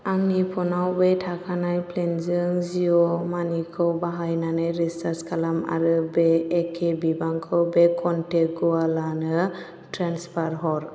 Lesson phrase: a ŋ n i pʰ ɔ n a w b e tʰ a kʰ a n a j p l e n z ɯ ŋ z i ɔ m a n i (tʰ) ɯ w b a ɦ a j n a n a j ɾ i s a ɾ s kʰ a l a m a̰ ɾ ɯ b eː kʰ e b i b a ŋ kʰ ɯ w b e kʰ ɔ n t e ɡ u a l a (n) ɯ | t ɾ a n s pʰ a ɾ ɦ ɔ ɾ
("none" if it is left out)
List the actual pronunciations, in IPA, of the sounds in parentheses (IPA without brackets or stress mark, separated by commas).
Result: kʰ, n